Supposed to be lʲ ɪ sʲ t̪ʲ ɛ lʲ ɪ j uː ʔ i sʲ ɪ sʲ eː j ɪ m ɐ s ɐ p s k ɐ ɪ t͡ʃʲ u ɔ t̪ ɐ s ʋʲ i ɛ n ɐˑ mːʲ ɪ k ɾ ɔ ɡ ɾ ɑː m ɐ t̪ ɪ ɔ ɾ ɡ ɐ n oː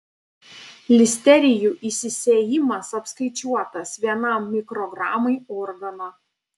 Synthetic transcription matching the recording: lʲ ɪ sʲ t̪ʲ ɛ ɾʲ ɪ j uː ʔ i sʲ ɪ sʲ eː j ɪ m ɐ s ɐ p s k ɐ ɪ t͡ʃʲ u ɔ t̪ ɐ s ʋʲ i ɛ n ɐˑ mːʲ ɪ k ɾ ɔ ɡ ɾ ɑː m ɐ ɪ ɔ ɾ ɡ ɐ n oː